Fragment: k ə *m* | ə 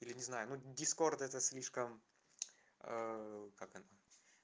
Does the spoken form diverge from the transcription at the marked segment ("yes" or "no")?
no